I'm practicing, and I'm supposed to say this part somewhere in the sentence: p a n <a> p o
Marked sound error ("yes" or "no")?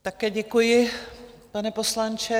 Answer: yes